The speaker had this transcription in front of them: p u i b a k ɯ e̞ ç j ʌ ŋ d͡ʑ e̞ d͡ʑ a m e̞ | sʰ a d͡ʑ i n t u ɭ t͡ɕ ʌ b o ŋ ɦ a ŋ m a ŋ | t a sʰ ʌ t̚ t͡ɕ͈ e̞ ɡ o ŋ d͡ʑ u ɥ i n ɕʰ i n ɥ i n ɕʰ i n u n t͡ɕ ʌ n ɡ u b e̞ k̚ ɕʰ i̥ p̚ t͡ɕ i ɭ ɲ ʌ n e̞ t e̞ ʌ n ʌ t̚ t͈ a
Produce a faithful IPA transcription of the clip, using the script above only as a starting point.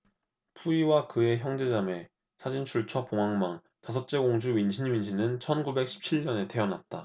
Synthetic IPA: pʰ u i w a k ɯ e̞ ç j ʌ ŋ d͡ʑ e̞ d͡ʑ a m e̞ | sʰ a d͡ʑ i n t͡ɕʰ u ɭ t͡ɕʰ ʌ p o ŋ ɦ a ŋ m a ŋ | t a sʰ ʌ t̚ t͡ɕ͈ e̞ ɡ o ŋ d͡ʑ u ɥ i n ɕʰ i n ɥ i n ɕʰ i n ɯ n t͡ɕʰ ʌ n ɡ u b e̞ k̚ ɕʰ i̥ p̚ t͡ɕʰ i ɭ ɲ ʌ n e̞ t e̞ ʌ n a t̚ t͈ a

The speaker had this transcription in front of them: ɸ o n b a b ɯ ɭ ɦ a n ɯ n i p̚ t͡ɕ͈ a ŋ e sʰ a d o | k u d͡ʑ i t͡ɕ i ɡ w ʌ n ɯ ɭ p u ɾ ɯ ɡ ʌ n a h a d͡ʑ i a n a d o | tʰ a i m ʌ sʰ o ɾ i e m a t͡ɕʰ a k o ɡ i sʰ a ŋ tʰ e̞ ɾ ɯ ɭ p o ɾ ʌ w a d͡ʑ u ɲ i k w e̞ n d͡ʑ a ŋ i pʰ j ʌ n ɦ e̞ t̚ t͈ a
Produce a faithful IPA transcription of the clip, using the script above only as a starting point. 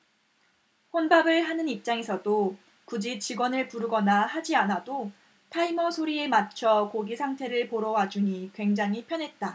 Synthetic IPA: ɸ o n b a b ɯ ɭ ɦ a n ɯ n i p̚ t͡ɕ͈ a ŋ e sʰ ʌ d o | k u d͡ʑ i t͡ɕ i ɡ w ʌ n ɯ ɭ p u ɾ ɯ ɡ ʌ n a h a d͡ʑ i a n a d o | tʰ a i m ʌ sʰ o ɾ i e m a t͡ɕʰ ʌ k o ɡ i sʰ a ŋ tʰ e̞ ɾ ɯ ɭ p o ɾ ʌ w a d͡ʑ u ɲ i k w e̞ ŋ d͡ʑ a ŋ i pʰ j ʌ n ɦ e̞ t̚ t͈ a

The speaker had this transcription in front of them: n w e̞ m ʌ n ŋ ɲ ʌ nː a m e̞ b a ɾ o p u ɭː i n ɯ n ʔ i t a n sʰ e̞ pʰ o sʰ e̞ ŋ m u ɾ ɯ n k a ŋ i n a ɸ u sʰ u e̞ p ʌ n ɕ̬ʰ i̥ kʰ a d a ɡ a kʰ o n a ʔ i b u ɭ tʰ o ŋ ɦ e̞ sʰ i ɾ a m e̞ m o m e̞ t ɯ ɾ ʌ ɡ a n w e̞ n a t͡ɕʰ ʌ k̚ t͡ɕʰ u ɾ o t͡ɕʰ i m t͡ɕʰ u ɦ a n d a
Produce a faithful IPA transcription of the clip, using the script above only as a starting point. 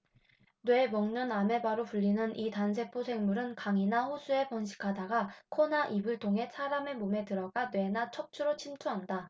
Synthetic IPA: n w e̞ m ʌ ŋ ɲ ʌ n a m e̞ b a ɾ o p u ʎː i n ɯ n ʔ i t a n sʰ e̞ pʰ o sʰ e̞ ŋ m u ɾ ɯ n k a ŋ i n a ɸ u sʰ u e̞ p ʌ n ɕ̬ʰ i̥ kʰ a d a ɡ a kʰ o n a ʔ i b ɯ ɭ tʰ o ŋ ɦ e̞ sʰ a ɾ a m e̞ m o m e̞ t ɯ ɾ ʌ ɡ a n w e̞ n a t͡ɕʰ ʌ k̚ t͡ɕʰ u ɾ o t͡ɕʰ i m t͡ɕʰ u ɦ a n d a

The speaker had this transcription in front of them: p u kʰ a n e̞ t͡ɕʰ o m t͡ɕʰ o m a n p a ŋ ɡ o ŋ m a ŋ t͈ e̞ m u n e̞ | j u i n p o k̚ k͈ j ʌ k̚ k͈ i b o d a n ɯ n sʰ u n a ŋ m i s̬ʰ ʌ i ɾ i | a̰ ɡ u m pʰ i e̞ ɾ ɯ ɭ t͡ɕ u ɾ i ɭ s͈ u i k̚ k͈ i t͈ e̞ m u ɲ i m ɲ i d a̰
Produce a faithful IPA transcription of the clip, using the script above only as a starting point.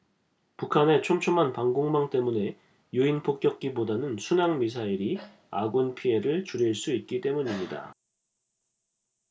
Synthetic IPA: p u kʰ a n e̞ t͡ɕʰ o m t͡ɕʰ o m a n p a ŋ ɡ o ŋ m a ŋ t͈ e̞ m u n e̞ | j u i n pʰ o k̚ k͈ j ʌ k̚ k͈ i b o d a n ɯ n sʰ u n a ŋ m i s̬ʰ a i ɾ i | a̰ ɡ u n pʰ i e̞ ɾ ɯ ɭ t͡ɕ u ɾ i ɭ s͈ u i t̚ k͈ i t͈ e̞ m u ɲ i m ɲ i d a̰

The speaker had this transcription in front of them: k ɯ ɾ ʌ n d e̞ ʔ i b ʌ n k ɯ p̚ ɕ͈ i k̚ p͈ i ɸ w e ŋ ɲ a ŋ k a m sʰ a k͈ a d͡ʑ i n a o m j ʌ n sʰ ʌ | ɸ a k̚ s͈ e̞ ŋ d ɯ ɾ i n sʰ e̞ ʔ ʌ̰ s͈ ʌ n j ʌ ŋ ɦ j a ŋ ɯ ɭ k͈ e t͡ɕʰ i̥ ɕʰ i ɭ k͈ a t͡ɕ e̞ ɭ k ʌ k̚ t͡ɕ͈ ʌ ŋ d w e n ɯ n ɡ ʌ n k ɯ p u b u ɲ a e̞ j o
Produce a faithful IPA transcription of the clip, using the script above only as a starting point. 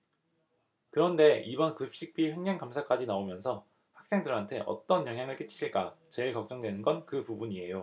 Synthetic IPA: k ɯ ɾ ʌ n d e̞ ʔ i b ʌ n k ɯ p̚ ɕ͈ i k̚ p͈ i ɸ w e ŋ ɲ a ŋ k a m sʰ a k͈ a d͡ʑ i n a o m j ʌ n sʰ ʌ | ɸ a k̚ s͈ e̞ ŋ d ɯ ɾ a n tʰ e̞ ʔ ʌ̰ t͈ ʌ n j ʌ ŋ ɦ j a ŋ ɯ ɭ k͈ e t͡ɕʰ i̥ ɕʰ i ɭ k͈ a t͡ɕ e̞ ɭ k ʌ k̚ t͡ɕ͈ ʌ ŋ d w e n ɯ n ɡ ʌ n k ɯ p u b u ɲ i e̞ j o

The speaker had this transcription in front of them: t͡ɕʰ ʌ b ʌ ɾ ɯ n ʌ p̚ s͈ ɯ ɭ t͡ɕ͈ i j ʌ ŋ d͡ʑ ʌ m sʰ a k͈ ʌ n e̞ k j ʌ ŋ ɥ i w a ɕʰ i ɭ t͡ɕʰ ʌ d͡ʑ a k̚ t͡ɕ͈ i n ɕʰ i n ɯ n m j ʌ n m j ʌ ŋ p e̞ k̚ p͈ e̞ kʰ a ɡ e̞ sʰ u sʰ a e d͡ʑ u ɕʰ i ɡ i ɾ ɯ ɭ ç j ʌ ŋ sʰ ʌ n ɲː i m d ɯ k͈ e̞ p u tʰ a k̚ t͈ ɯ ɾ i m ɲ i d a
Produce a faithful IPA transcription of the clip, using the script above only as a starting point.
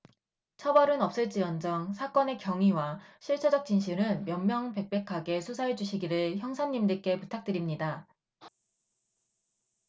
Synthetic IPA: t͡ɕʰ ʌ b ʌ ɾ ɯ n ʌ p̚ s͈ ɯ ɭ t͡ɕ͈ i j ʌ n d͡ʑ ʌ ŋ sʰ a k͈ ʌ n e̞ k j ʌ ŋ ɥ i w a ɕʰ i ɭ t͡ɕʰ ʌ d͡ʑ ʌ k̚ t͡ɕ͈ i n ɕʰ i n ɯ n m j ʌ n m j ʌ ŋ p e̞ k̚ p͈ e̞ kʰ a ɡ e̞ sʰ u sʰ a e d͡ʑ u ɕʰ i ɡ i ɾ ɯ ɭ ç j ʌ ŋ sʰ a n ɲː i m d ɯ k͈ e̞ p u tʰ a k̚ t͈ ɯ ɾ i m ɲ i d a

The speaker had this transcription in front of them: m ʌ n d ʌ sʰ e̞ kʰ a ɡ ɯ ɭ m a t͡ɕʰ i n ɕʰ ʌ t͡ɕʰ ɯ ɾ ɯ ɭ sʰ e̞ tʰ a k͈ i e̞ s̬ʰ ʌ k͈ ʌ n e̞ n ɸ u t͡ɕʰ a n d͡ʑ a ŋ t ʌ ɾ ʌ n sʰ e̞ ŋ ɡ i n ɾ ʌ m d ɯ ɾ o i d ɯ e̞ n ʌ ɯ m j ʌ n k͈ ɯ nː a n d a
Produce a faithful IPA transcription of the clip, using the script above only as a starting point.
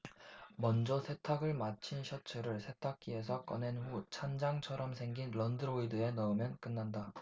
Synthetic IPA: m ʌ n d͡ʑ ʌ sʰ e̞ tʰ a ɡ ɯ ɭ m a t͡ɕʰ i n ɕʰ ʌ t͡ɕʰ ɯ ɾ ɯ ɭ sʰ e̞ tʰ a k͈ i e̞ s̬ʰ ʌ k͈ ʌ n e̞ n ɸ u t͡ɕʰ a n d͡ʑ a ŋ t͡ɕʰ ʌ ɾ ʌ m sʰ e̞ ŋ ɡ i n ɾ ʌ n d ɯ ɾ o i d ɯ e̞ n ʌ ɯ m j ʌ n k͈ ɯ nː a n d a

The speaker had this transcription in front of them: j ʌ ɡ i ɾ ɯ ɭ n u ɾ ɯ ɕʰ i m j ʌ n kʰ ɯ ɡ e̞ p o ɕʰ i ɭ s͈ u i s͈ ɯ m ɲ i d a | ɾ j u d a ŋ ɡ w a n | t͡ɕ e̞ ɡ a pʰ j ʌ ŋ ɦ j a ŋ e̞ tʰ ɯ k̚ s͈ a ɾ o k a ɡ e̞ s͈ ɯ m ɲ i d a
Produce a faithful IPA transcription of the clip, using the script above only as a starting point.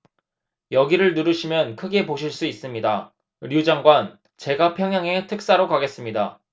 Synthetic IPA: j ʌ ɡ i ɾ ɯ ɭ n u ɾ ɯ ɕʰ i m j ʌ n kʰ ɯ ɡ e̞ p o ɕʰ i ɭ s͈ u i s͈ ɯ m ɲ i d a | ɾ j u d͡ʑ a ŋ ɡ w a n | t͡ɕ e̞ ɡ a pʰ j ʌ ŋ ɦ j a ŋ e̞ tʰ ɯ k̚ s͈ a ɾ o k a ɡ e̞ s͈ ɯ m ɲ i d a

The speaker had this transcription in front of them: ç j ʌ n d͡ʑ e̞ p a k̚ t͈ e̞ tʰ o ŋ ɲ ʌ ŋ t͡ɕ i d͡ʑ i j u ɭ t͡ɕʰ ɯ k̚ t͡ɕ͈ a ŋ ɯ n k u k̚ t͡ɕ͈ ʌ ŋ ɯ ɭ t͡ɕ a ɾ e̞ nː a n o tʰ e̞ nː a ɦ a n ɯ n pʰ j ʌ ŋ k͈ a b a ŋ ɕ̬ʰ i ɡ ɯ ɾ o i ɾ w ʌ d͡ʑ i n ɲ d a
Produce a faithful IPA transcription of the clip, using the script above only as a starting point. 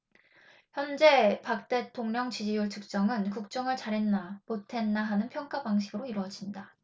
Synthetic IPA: ç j ʌ n d͡ʑ e̞ p a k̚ t͈ e̞ tʰ o ŋ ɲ ʌ ŋ t͡ɕ i d͡ʑ i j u ɭ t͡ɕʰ ɯ k̚ t͡ɕ͈ ʌ ŋ ɯ n k u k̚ t͡ɕ͈ ʌ ŋ ɯ ɭ t͡ɕ a ɾ e̞ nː a m o tʰ e̞ nː a ɦ a n ɯ n pʰ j ʌ ŋ k͈ a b a ŋ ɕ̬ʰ i ɡ ɯ ɾ o i ɾ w ʌ d͡ʑ i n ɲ d a

